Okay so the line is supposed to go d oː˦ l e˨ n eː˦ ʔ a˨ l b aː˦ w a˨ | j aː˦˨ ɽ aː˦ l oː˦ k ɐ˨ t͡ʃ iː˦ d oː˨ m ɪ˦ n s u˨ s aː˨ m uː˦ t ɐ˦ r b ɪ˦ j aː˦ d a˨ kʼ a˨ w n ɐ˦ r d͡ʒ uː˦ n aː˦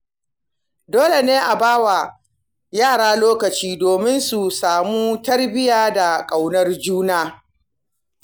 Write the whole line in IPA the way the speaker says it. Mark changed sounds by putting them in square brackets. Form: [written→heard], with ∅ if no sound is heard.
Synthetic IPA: d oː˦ l e˨ n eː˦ ʔ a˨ [l→∅] b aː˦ w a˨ | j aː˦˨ ɽ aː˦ l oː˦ k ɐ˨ t͡ʃ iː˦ d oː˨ m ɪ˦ n s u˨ s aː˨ m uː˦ t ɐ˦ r b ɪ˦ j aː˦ d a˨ kʼ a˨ w n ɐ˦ r d͡ʒ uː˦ n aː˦